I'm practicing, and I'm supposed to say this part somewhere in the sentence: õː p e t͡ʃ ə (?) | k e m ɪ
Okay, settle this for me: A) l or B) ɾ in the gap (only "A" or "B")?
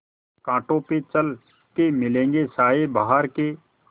A